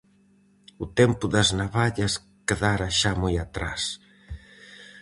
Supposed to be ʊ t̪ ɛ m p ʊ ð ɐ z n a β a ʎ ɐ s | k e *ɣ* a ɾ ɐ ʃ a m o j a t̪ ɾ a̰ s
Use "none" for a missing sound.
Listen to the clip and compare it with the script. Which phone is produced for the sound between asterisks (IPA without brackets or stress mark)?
ð